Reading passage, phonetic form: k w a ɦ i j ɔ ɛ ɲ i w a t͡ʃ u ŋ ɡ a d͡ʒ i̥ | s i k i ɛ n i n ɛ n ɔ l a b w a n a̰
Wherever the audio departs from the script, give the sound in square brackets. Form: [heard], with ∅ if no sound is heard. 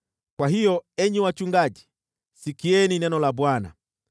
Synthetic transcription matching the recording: k w a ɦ i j ɔ ɛ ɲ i w a t͡ʃ u ŋ ɡ a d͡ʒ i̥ | s i k i ɛ n i n ɛ n ɔ l a b w a n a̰